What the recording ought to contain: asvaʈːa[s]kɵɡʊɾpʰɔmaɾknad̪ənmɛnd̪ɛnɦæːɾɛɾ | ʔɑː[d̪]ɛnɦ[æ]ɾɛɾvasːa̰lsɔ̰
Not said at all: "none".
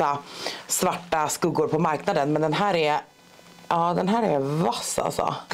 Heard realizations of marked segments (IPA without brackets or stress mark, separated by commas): s, d̪, æː